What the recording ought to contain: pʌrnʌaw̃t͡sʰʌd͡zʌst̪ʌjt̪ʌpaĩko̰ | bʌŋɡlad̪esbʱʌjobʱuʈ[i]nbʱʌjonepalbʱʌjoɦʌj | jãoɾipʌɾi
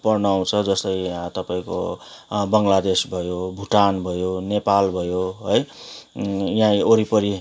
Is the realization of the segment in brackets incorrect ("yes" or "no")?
yes